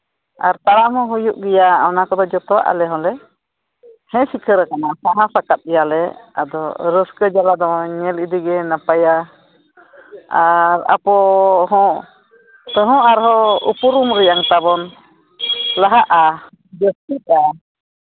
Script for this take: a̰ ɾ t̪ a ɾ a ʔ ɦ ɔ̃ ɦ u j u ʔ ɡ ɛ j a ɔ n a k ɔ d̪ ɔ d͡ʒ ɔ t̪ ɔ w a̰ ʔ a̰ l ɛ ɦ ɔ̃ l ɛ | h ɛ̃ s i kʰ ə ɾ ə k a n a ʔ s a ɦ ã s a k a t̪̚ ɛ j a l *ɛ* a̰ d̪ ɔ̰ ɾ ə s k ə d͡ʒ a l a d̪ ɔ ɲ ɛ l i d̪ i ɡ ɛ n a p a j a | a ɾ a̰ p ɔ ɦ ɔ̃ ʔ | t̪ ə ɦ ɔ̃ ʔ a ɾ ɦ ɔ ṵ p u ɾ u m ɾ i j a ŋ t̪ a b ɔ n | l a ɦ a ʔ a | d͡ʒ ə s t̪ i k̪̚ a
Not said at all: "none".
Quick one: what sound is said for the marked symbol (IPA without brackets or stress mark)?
ɛ